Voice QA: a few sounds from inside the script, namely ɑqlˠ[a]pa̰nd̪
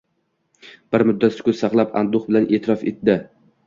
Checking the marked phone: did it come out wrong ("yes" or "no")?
no